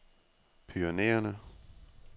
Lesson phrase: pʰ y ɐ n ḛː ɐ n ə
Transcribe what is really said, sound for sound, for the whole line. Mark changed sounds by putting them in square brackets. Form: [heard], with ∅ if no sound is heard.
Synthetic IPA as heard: pʰ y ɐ n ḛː ɐ n ə